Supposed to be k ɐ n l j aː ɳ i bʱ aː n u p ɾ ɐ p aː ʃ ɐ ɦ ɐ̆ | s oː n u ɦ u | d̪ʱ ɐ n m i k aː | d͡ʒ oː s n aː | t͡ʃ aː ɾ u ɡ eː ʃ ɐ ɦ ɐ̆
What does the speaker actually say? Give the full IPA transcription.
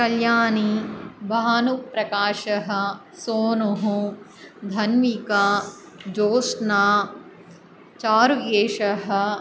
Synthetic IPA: k ɐ l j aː n i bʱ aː n u p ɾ ɐ k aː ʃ ɐ ɦ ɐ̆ | s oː n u ɦ u | d̪ʱ ɐ n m i k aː | d͡ʒ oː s n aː | t͡ʃ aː ɾ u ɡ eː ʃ ɐ ɦ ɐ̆